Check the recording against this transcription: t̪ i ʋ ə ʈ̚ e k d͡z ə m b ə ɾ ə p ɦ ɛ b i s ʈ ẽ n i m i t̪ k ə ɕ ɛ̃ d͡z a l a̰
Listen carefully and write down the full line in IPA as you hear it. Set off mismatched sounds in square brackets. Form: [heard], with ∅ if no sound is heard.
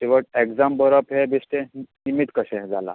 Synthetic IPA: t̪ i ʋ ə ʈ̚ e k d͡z [a] m b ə ɾ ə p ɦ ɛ b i s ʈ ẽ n i m i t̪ k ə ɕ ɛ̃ d͡z a l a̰